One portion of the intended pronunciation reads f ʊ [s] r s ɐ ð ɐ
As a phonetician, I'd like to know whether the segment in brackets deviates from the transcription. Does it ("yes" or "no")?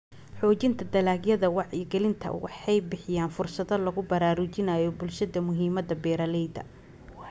yes